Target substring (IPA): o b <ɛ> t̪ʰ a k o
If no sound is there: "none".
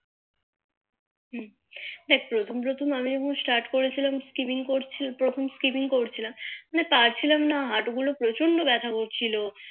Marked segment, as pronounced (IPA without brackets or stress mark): ɛ